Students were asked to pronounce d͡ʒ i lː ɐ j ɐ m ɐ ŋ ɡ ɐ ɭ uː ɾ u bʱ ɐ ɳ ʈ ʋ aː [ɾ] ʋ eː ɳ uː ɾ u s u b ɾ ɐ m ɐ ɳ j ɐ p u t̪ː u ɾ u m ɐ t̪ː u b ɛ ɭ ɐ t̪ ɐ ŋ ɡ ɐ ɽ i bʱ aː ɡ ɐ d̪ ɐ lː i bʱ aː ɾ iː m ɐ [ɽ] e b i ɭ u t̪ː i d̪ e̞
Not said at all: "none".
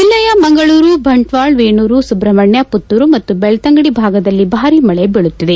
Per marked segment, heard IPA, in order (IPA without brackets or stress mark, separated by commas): ɭ, ɭ